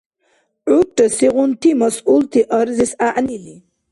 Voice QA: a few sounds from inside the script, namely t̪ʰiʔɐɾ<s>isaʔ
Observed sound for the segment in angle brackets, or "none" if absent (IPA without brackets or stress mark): z